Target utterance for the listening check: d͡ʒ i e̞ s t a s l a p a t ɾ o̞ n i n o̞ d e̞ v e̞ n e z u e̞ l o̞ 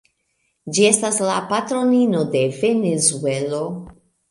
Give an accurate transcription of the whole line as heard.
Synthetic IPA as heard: d͡ʒ i e̞ s t a s l a p a t ɾ o̞ n i n o̞ d e̞ v e̞ n e z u e̞ l o̞